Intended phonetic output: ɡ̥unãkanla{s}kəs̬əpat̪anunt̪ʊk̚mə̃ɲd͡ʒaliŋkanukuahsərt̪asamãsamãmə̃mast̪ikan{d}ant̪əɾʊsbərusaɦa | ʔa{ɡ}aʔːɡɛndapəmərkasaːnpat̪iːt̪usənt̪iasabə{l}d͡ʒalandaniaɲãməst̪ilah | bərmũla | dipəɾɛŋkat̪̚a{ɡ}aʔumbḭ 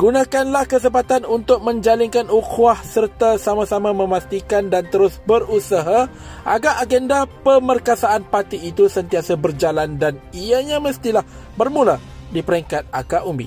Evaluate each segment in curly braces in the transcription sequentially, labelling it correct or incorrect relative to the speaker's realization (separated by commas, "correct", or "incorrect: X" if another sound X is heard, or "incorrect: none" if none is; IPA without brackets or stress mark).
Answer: incorrect: h, correct, correct, incorrect: r, incorrect: k